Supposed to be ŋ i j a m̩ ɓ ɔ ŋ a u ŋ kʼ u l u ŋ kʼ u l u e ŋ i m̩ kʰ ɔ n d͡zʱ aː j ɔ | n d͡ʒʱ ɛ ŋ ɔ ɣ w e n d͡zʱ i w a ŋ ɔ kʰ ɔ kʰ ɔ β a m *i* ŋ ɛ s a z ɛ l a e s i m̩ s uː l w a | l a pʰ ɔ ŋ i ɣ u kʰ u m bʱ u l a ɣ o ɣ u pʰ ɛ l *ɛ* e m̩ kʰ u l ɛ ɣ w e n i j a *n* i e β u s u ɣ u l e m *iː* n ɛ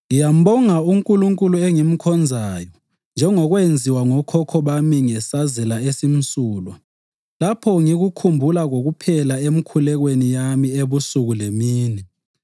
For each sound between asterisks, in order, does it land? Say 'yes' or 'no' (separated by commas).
yes, no, no, yes